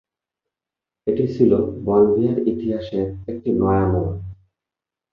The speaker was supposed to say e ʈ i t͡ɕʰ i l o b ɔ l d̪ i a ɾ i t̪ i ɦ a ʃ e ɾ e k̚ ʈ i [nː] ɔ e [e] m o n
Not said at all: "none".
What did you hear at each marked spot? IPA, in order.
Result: n, a

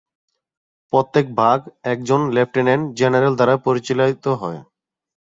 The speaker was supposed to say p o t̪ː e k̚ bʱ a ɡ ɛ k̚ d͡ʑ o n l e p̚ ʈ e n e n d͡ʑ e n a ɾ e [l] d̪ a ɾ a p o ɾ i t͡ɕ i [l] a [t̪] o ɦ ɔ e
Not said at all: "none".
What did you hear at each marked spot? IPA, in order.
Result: l, l, t̪

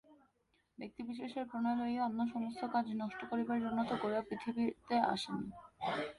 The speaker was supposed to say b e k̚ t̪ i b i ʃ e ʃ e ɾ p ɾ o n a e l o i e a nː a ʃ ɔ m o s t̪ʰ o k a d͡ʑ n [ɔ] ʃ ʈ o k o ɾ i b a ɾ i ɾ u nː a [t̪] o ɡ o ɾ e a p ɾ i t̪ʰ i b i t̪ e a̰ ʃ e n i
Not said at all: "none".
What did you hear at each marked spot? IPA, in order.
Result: ɔ, t̪

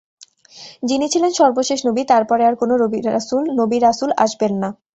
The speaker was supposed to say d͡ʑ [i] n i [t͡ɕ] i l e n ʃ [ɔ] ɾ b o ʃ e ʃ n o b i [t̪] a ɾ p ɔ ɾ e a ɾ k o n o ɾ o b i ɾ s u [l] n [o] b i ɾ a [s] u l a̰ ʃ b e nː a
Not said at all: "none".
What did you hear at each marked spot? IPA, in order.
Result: i, t͡ɕʰ, ɔ, t̪, l, o, s

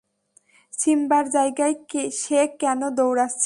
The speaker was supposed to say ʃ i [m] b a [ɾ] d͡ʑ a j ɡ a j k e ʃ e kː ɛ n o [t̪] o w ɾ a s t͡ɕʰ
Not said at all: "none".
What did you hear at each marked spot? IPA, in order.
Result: m, ɾ, d̪

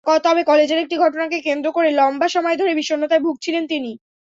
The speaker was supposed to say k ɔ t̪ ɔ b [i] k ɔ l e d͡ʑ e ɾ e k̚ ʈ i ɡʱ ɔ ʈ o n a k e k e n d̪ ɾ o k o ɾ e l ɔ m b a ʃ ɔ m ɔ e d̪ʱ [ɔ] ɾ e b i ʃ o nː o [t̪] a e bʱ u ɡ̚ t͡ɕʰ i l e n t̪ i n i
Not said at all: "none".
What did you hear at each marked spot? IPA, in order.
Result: e, o, t̪

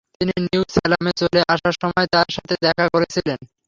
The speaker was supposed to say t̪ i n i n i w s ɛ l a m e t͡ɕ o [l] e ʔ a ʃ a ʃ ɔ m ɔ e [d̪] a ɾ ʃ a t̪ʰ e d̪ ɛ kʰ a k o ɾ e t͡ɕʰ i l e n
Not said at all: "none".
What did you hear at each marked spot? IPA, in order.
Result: l, t̪

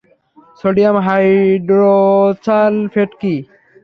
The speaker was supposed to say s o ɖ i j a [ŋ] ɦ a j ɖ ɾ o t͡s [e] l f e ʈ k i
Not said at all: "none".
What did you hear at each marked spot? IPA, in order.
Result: m, a

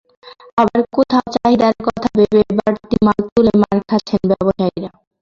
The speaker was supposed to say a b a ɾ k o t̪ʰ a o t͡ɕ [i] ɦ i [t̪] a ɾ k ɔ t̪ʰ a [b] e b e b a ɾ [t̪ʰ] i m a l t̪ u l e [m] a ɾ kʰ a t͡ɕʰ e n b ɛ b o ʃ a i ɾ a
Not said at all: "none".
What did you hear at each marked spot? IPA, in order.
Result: a, d̪, b, t̪, m

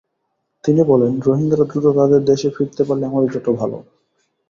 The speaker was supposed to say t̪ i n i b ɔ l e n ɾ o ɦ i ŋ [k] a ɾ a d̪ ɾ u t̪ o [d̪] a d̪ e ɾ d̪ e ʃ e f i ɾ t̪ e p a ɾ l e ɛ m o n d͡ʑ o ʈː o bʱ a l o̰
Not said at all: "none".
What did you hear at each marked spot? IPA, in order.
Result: ɡ, t̪

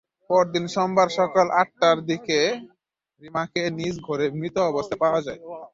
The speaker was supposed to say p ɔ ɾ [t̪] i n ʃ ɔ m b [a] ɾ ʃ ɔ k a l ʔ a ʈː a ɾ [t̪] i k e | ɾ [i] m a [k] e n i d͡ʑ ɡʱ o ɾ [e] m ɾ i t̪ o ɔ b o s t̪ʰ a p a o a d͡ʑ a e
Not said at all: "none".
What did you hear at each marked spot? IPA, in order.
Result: d̪, a, d̪, i, k, e

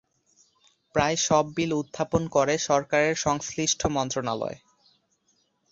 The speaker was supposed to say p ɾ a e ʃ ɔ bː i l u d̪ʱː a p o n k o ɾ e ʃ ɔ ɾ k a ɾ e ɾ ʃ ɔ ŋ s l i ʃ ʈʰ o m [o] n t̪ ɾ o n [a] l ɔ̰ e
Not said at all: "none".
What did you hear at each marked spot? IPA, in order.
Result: ɔ, a

